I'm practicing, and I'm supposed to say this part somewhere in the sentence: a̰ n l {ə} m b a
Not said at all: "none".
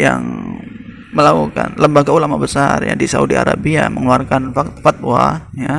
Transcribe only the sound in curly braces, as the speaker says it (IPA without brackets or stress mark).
ə